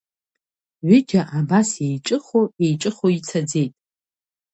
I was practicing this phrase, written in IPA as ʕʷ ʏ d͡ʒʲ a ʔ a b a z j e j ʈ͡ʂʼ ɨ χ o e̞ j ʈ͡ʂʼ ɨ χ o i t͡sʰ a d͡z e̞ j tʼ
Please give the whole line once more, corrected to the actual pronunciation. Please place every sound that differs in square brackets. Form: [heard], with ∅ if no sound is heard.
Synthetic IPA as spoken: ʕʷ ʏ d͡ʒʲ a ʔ a b a [s] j e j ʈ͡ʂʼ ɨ χ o e̞ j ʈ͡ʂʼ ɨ χ o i t͡sʰ a d͡z e̞ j tʼ